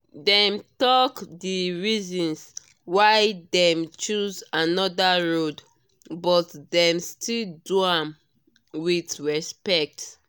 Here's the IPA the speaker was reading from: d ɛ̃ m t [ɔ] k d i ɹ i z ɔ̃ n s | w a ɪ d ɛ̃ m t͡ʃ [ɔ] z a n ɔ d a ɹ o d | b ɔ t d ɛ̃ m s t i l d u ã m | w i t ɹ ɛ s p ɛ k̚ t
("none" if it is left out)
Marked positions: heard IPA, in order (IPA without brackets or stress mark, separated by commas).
ɔ, u